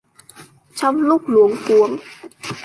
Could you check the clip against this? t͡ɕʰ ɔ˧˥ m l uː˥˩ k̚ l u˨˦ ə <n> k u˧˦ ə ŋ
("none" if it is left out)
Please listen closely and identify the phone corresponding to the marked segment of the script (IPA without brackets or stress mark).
ŋ